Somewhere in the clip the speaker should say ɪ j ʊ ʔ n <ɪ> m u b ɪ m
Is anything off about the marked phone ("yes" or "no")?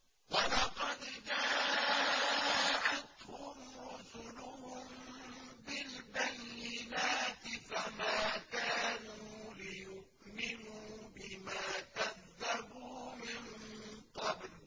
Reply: no